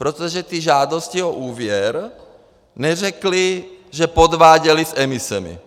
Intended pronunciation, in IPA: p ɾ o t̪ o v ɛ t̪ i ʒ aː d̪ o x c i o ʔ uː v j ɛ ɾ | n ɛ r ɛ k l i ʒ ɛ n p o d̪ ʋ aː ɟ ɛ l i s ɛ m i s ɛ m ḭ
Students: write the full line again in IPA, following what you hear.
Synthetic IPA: p ɾ o t̪ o ʒ ɛ t̪ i ʒ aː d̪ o s c i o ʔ uː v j ɛ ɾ | n ɛ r ɛ k l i ʒ ɛ p o d̪ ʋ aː ɟ ɛ l i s ɛ m i s ɛ m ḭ